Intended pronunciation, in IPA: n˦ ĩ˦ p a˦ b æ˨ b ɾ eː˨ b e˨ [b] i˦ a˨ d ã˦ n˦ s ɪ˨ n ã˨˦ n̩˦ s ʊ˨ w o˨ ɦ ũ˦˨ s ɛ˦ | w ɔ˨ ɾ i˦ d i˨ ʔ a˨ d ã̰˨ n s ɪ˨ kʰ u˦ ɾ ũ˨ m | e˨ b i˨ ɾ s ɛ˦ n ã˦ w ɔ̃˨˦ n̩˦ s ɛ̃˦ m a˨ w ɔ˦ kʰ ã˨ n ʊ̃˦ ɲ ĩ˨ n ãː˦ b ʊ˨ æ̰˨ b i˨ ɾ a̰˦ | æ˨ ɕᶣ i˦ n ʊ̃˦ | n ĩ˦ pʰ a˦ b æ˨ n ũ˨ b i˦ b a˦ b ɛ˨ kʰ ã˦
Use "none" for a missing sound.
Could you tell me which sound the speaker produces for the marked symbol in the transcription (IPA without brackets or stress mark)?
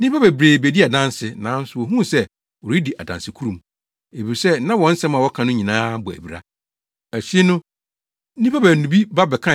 d